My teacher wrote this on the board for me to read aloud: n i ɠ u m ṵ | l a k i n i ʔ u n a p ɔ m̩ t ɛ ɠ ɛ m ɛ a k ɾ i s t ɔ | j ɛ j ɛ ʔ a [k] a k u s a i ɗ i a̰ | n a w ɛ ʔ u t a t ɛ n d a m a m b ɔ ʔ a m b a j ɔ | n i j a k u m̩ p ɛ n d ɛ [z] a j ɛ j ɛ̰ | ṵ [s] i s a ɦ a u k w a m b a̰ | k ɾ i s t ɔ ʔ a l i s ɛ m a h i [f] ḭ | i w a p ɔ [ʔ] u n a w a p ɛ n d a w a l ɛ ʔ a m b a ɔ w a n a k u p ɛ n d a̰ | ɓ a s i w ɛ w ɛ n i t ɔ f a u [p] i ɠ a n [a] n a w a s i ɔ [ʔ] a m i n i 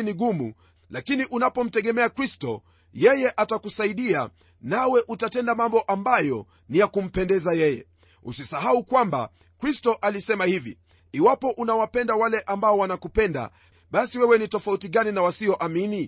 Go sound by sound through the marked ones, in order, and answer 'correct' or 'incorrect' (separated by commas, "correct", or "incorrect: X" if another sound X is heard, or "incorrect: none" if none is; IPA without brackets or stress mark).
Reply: incorrect: t, correct, correct, incorrect: v, correct, incorrect: t, incorrect: i, correct